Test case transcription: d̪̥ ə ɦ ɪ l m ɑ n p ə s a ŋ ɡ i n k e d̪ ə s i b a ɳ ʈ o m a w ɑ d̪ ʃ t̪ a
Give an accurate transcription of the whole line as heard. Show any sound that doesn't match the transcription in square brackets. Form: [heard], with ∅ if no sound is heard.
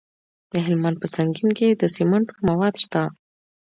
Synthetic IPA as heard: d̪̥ ə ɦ ɪ l m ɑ n p ə s a ŋ ɡ i n k e d̪ ə s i [m] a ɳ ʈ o m a w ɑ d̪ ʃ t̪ a